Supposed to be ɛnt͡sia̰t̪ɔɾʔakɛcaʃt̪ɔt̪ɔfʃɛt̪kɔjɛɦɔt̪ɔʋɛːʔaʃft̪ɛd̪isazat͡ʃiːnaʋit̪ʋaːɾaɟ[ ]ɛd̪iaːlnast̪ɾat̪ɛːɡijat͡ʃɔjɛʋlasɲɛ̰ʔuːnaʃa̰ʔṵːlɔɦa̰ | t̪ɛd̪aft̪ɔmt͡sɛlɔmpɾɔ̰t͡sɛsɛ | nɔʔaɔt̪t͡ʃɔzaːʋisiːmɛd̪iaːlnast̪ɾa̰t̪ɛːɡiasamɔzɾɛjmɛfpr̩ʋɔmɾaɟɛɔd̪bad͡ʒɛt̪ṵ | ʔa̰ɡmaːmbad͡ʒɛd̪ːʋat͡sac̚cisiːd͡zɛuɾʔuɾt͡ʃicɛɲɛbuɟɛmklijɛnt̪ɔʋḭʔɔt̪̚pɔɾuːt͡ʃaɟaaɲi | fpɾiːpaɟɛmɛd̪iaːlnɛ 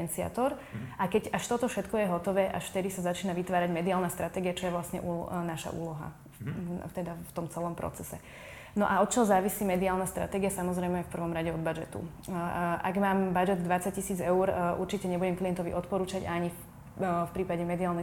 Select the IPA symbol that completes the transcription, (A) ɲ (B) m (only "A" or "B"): B